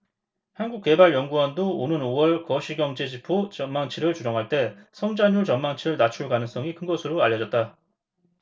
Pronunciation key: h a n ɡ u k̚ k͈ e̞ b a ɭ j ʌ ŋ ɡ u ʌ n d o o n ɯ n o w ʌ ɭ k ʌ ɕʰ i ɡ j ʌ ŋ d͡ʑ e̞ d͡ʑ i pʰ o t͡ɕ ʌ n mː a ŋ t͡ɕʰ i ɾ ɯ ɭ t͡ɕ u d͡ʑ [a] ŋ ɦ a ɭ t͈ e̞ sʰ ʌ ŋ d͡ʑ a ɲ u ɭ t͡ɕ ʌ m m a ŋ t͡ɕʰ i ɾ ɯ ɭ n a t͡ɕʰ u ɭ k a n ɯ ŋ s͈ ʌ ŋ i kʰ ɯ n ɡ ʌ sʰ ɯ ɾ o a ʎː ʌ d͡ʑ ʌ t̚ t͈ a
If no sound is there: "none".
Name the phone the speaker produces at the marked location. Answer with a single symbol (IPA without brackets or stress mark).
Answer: ʌ